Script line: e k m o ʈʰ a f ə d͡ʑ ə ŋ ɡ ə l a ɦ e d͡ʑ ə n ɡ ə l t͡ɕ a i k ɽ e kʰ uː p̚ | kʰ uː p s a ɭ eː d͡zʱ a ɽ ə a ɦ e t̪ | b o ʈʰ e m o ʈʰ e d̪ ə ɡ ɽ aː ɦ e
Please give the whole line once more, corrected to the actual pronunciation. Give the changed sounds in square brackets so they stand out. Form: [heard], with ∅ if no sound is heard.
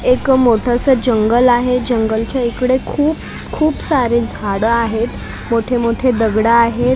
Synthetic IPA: e k m o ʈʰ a [s] ə d͡ʑ ə ŋ ɡ ə l a ɦ e d͡ʑ ə [ŋ] ɡ ə l t͡ɕ a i k ɽ e kʰ uː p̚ | kʰ uː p s a [ɾ] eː d͡zʱ a ɽ ə a ɦ e t̪ | [m] o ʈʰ e m o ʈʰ e d̪ ə ɡ ɽ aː ɦ e